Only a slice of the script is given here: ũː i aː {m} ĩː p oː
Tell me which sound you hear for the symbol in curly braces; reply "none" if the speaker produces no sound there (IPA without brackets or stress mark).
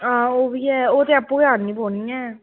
n